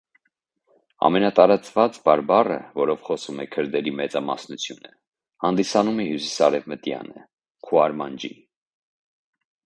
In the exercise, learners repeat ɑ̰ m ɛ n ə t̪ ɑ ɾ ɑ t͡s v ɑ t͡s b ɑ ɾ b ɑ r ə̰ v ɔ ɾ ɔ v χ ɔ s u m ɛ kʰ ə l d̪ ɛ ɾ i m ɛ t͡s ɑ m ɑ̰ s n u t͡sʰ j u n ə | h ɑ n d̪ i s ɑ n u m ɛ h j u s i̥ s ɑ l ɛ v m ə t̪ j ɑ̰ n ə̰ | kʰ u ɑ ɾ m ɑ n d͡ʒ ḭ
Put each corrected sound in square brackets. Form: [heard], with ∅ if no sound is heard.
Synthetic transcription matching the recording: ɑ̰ m ɛ n [ɑ] t̪ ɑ ɾ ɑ t͡s v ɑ t͡s b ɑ ɾ b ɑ r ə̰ v ɔ ɾ ɔ v χ ɔ s u m ɛ kʰ ə [ɾ] d̪ ɛ ɾ i m ɛ t͡s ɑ m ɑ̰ s n u t͡sʰ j u n ə | h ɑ n d̪ i s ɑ n u m ɛ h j u s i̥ s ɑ [ɾ] ɛ v m ə t̪ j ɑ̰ n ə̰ | kʰ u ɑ ɾ m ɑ n d͡ʒ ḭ